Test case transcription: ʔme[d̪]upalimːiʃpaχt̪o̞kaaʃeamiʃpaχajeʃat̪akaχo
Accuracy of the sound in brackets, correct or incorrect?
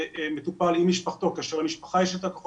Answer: incorrect